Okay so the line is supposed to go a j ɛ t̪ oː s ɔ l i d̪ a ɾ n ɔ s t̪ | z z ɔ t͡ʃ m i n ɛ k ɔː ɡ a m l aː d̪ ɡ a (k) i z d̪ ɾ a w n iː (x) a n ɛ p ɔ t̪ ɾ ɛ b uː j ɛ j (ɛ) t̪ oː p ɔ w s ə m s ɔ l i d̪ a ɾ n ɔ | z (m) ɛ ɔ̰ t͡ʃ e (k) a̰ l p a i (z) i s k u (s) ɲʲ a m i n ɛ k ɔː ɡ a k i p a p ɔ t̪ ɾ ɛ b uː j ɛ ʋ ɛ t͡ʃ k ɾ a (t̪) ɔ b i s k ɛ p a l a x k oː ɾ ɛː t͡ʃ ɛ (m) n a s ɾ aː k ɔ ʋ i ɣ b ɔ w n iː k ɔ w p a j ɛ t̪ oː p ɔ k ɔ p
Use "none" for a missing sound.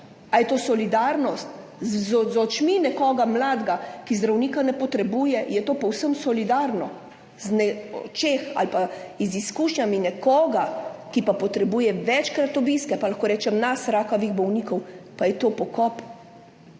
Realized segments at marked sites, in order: k, k, ɛ, n, x, z, ʃ, t̪, m

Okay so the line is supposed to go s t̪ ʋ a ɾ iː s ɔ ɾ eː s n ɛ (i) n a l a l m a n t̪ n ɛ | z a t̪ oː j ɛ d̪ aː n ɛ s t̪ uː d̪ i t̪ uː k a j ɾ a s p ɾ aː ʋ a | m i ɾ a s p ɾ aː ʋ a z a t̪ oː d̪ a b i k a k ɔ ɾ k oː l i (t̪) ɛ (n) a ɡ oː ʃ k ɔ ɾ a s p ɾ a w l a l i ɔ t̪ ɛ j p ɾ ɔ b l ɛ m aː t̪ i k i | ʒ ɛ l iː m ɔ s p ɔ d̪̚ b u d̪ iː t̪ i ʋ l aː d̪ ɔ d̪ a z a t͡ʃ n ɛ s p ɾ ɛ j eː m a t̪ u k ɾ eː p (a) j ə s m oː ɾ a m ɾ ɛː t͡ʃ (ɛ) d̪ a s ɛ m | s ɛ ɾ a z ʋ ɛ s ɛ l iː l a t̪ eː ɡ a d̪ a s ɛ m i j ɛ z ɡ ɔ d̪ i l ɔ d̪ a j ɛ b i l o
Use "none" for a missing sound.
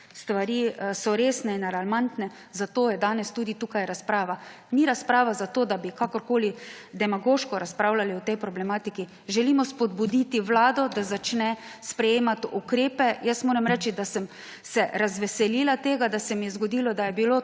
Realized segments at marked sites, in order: i, d̪, m, ɛ, i

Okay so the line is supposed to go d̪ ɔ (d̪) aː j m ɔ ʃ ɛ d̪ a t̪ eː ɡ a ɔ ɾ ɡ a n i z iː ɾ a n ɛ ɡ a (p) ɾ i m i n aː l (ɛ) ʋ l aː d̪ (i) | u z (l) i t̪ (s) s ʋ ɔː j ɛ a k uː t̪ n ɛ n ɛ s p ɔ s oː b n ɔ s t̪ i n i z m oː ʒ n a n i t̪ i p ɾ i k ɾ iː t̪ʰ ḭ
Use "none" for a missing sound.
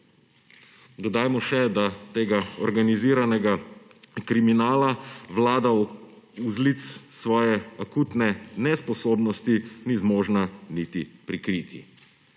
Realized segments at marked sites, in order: d̪, k, a, a, l, s

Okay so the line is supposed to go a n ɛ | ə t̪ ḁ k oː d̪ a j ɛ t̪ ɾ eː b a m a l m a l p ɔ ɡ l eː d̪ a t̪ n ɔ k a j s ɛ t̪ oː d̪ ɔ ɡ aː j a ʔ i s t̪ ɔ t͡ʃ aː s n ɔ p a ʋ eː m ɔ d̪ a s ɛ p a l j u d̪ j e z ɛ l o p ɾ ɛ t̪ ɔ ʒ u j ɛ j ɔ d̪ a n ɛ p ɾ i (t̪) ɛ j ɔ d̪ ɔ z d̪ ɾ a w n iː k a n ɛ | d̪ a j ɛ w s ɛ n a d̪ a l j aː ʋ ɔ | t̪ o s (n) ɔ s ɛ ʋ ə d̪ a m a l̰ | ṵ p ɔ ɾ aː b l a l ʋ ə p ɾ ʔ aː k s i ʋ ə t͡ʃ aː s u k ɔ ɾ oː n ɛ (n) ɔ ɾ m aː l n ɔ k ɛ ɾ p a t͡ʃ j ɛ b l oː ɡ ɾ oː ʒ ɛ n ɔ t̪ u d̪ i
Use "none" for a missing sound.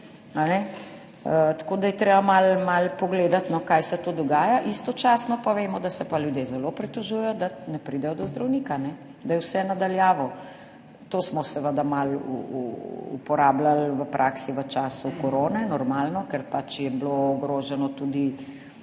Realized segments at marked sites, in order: d̪, m, n

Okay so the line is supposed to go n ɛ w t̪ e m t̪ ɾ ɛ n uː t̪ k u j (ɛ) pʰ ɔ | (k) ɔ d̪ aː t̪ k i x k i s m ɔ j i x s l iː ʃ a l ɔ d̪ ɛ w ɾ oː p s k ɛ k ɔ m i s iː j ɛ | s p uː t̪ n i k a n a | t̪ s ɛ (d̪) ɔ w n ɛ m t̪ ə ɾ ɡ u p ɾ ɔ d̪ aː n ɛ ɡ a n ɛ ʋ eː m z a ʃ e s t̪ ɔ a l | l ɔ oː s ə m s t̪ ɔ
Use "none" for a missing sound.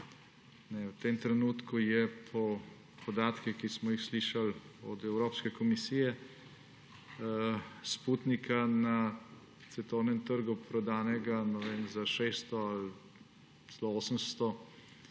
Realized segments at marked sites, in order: ɛ, p, t̪

